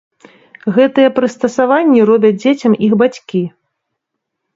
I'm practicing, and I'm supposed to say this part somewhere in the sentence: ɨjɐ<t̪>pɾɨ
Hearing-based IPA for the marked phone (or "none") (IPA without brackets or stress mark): none